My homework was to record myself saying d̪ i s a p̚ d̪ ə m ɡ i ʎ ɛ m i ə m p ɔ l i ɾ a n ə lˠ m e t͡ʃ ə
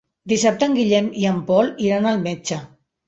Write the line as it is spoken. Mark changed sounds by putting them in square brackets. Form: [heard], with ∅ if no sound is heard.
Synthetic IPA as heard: d̪ i s a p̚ [t̪] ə [ŋ] ɡ i ʎ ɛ m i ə m p ɔ l i ɾ a n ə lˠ m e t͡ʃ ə